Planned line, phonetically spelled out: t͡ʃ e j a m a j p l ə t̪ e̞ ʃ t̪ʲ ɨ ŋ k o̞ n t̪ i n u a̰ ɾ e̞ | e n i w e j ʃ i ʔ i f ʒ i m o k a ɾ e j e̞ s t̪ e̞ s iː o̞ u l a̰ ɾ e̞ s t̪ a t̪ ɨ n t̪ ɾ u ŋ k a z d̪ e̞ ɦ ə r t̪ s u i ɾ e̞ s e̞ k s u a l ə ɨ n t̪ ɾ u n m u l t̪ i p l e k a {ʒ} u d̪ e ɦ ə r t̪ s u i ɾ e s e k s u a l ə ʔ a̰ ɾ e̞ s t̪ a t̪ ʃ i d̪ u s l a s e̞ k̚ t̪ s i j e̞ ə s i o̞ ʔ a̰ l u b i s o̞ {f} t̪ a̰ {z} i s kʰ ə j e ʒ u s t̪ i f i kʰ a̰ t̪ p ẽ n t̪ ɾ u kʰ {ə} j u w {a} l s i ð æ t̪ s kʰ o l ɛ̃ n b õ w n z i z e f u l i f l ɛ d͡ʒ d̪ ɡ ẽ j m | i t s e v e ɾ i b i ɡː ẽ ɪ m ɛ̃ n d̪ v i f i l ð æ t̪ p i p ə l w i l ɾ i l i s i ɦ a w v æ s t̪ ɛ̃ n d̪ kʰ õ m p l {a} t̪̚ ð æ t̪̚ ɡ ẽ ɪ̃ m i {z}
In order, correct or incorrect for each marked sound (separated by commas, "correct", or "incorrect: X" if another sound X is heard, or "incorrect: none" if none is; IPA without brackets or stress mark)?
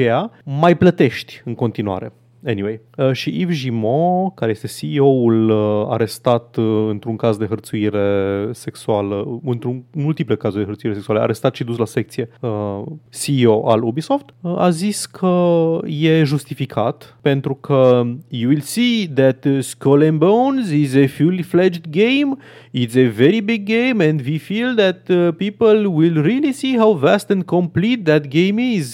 incorrect: z, correct, correct, correct, incorrect: i, incorrect: i, correct